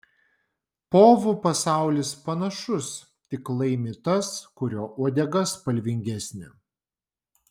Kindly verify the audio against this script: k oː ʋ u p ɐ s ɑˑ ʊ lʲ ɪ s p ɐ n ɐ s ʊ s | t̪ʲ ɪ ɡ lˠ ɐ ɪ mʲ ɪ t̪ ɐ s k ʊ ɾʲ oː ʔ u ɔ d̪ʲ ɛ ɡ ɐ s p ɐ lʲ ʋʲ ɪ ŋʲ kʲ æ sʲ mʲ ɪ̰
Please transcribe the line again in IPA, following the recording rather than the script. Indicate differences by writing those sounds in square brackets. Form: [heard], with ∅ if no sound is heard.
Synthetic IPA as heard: [p] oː ʋ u p ɐ s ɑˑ ʊ lʲ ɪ s p ɐ n ɐ [ʃ] ʊ s | t̪ʲ ɪ [k] lˠ ɐ ɪ mʲ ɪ t̪ ɐ s k ʊ ɾʲ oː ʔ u ɔ d̪ʲ ɛ ɡ ɐ s p ɐ lʲ ʋʲ ɪ ŋʲ [ɡʲ] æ sʲ [nʲ] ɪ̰